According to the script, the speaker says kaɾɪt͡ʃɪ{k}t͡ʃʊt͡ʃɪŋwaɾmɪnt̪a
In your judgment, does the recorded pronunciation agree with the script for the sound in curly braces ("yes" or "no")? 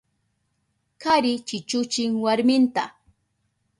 no